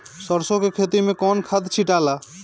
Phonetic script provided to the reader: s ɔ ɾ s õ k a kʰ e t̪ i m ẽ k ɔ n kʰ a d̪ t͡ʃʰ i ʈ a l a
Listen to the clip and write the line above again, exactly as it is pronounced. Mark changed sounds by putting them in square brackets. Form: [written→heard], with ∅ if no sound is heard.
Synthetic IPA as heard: s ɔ ɾ s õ k [a→e] kʰ e t̪ i m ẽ k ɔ n kʰ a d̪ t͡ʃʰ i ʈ a l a